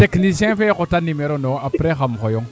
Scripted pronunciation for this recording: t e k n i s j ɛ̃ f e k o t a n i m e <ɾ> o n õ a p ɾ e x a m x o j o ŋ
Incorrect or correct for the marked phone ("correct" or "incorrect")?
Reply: correct